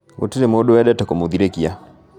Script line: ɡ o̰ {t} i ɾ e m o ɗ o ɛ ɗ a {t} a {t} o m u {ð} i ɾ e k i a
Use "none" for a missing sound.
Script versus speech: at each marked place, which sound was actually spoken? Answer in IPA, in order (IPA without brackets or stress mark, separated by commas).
t, t, k, ð